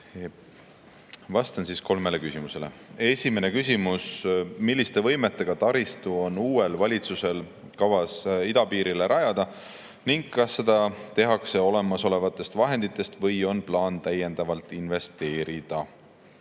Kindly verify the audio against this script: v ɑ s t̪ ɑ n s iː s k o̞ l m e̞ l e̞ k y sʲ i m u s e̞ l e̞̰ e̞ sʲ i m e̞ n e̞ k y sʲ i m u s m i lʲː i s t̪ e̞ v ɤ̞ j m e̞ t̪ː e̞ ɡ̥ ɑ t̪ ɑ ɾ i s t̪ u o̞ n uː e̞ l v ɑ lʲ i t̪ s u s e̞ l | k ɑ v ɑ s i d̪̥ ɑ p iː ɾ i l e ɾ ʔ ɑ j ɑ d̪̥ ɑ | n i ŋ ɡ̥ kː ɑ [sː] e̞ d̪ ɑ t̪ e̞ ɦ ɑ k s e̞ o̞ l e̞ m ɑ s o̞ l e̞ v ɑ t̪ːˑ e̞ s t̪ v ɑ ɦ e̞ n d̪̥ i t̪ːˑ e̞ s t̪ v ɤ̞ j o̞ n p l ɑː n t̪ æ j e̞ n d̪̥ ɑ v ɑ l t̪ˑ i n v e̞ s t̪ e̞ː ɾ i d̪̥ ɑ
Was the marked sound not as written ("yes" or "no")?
no